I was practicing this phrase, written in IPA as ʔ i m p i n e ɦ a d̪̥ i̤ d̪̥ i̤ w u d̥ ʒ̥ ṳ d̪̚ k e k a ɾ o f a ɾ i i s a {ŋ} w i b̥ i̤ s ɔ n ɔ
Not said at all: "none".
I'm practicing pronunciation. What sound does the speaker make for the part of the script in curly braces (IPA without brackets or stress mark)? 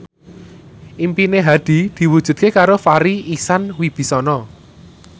n